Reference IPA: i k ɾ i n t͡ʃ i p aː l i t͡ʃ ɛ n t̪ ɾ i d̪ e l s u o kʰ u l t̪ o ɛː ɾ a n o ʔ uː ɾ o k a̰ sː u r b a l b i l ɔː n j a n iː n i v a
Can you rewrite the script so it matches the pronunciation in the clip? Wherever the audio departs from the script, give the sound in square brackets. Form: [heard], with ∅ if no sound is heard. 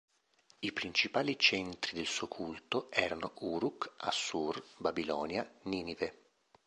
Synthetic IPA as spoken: i [p] ɾ i n t͡ʃ i p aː l i t͡ʃ ɛ n t̪ ɾ i d̪ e l s u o kʰ u l t̪ o ɛː ɾ a n o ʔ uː ɾ [u] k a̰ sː u r b a [∅] b i l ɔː n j a n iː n i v [e]